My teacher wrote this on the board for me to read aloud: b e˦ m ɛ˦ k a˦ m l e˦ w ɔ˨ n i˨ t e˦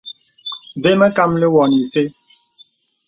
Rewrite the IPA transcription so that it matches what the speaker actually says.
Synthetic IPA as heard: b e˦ m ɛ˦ k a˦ m l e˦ w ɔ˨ n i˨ s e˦